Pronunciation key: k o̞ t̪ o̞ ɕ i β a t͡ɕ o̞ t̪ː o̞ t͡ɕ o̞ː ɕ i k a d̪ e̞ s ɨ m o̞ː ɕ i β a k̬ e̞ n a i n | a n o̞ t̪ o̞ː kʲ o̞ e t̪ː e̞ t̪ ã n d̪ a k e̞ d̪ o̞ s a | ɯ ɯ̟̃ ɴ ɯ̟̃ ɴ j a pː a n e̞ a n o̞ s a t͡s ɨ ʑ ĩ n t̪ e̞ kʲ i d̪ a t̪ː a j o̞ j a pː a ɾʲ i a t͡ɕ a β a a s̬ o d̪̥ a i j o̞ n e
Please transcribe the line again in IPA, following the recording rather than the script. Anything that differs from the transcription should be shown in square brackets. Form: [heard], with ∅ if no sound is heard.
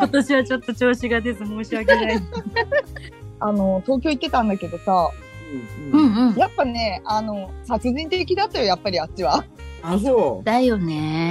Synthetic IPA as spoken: k o̞ t̪ o̞ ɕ i β a t͡ɕ o̞ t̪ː o̞ t͡ɕ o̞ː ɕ i [ɡ] a d̪ e̞ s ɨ m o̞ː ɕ i β a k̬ e̞ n a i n | a n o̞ t̪ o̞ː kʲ o̞ [i] t̪ː e̞ t̪ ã n d̪ a k e̞ d̪ o̞ s a | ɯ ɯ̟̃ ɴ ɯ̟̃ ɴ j a pː a n e̞ a n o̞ s a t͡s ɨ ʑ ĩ n t̪ e̞ kʲ i d̪ a t̪ː a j o̞ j a pː a ɾʲ i a t͡ɕ [i] β a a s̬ o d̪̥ a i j o̞ n e